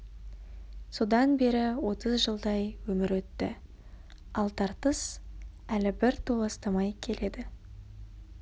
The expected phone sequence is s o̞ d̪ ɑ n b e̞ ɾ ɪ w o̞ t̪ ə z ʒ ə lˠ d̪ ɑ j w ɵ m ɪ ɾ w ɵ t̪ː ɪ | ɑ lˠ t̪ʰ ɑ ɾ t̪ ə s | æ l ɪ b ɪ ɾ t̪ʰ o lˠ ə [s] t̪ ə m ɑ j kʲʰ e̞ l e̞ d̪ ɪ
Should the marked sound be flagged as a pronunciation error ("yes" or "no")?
no